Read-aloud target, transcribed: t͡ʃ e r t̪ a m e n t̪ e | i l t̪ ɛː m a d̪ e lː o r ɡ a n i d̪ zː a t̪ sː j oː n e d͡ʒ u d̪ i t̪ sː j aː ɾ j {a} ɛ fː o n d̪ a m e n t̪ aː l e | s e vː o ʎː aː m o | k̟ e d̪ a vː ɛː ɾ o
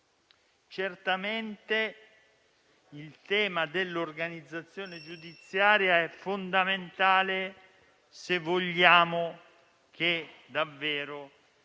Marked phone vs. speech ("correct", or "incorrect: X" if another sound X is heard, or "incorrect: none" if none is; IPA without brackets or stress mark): correct